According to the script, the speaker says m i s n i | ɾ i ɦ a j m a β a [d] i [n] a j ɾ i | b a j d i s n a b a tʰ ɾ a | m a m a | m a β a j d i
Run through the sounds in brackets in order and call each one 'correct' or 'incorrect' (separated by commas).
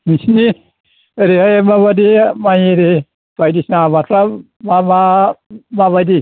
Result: correct, incorrect